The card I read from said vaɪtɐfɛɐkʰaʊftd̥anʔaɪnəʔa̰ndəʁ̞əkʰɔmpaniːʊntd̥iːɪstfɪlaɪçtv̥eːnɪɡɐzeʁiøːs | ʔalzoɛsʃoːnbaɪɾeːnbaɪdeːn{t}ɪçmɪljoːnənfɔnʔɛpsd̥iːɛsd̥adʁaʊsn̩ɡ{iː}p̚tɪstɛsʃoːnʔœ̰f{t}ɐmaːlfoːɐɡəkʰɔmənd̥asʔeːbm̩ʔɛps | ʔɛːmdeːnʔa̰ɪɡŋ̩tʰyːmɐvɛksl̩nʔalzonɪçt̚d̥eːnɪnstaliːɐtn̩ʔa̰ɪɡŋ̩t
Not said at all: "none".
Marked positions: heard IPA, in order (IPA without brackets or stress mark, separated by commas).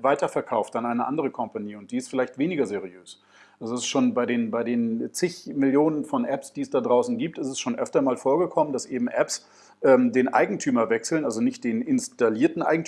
t͡s, iː, t